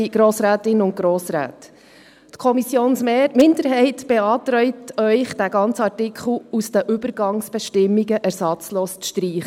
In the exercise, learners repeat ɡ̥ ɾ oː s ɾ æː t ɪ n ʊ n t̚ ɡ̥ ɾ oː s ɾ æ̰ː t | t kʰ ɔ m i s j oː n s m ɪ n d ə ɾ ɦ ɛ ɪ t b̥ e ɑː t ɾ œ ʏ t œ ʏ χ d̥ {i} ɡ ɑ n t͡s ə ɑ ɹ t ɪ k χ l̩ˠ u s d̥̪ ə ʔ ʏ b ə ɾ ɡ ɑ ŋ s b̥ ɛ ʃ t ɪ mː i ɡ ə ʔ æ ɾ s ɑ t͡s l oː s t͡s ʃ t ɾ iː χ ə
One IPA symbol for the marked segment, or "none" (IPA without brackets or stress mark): æ